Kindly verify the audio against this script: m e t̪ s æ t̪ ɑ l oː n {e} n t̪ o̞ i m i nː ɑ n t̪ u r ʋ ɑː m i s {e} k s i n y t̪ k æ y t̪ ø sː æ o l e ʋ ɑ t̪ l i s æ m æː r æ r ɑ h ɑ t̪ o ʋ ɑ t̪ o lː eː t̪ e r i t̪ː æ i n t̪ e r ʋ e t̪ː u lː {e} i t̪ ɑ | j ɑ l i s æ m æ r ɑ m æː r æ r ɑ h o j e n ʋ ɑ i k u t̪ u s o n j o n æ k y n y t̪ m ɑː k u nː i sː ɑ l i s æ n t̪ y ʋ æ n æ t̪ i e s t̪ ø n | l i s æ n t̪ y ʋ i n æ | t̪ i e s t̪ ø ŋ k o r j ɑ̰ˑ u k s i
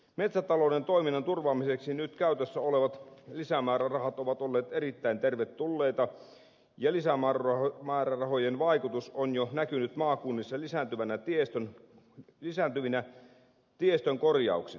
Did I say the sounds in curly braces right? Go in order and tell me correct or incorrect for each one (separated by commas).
correct, correct, correct